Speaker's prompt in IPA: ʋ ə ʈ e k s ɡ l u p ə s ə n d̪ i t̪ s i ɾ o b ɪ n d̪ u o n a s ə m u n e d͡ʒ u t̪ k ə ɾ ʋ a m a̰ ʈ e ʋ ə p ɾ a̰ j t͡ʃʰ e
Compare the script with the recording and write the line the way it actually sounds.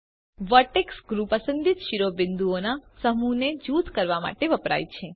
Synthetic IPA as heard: ʋ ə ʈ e k s ɡ ɾ u p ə s ə n d̪ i t̪ ʃ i ɾ o b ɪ n d̪ u o n a s ə m u n e d͡ʒ u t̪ k ə ɾ ʋ a m a̰ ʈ e ʋ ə p ɾ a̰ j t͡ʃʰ e